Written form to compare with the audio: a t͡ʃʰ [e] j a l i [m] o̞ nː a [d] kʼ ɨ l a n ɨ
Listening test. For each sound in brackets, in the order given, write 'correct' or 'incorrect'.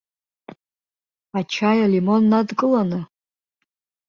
incorrect: a, correct, correct

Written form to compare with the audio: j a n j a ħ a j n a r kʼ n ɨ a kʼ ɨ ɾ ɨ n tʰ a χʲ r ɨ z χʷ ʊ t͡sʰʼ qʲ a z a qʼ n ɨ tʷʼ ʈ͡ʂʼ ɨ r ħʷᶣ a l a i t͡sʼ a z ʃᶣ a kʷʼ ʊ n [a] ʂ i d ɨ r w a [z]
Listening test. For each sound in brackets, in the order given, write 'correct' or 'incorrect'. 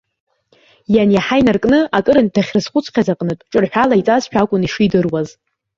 incorrect: i, correct

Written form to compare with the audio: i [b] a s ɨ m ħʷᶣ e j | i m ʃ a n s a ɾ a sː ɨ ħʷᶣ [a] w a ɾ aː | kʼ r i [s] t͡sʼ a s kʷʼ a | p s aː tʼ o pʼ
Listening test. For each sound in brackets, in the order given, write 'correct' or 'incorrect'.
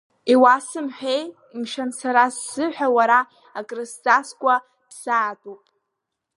incorrect: w, correct, correct

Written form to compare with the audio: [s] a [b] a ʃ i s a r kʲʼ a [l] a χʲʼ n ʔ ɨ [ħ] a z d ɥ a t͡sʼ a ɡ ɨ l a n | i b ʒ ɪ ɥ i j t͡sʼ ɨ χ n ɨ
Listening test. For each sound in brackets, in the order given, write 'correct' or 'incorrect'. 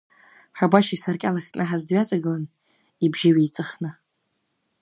incorrect: ħ, correct, correct, correct

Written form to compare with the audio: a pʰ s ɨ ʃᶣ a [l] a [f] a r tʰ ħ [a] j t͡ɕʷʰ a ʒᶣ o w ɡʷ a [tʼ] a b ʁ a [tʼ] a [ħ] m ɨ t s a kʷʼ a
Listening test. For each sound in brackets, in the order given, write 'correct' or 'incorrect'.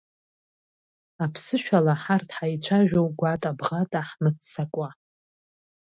correct, incorrect: ħ, correct, correct, correct, correct

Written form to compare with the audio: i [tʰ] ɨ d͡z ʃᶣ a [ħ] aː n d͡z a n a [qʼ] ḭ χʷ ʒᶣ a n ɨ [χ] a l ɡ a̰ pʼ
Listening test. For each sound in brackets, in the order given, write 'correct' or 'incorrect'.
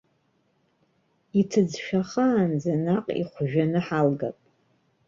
correct, incorrect: χ, correct, incorrect: ħ

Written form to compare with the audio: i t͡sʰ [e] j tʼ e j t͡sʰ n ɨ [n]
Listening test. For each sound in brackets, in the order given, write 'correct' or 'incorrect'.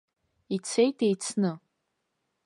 correct, incorrect: none

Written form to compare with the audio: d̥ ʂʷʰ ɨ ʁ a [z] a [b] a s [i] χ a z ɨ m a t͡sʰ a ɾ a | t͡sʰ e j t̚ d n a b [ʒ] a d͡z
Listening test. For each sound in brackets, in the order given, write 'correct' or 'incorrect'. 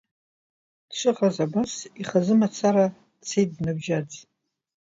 correct, correct, correct, correct

